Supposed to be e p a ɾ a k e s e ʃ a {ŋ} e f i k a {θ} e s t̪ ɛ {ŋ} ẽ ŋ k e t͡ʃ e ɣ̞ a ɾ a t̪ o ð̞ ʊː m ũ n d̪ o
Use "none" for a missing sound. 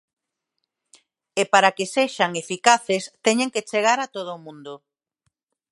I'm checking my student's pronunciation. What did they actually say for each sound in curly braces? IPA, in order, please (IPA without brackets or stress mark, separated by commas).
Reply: ŋ, θ, ɲ